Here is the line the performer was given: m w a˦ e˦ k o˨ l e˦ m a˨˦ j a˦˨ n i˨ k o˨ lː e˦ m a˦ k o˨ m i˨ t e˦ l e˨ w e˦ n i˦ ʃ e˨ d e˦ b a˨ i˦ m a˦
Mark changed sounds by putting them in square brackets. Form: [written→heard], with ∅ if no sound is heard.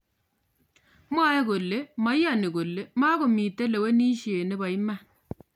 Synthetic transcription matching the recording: m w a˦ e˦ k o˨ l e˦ m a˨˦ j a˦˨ n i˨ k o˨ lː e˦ m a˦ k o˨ m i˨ t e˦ l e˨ w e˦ n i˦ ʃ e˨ [d→n] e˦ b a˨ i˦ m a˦